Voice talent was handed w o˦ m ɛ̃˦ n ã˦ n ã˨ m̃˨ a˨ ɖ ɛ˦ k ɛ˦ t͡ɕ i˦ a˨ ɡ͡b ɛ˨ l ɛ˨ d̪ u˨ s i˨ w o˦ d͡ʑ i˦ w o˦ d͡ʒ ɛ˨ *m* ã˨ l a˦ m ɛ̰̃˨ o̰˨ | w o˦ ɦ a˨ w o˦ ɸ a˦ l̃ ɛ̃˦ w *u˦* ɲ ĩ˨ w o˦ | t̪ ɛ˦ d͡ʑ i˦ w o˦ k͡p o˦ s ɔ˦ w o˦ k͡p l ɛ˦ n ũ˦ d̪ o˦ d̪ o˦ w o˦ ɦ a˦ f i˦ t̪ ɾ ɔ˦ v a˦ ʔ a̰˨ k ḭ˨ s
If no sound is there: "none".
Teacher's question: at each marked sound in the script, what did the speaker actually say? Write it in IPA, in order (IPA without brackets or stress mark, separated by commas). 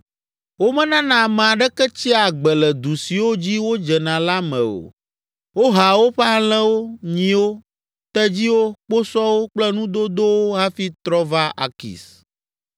n, o˦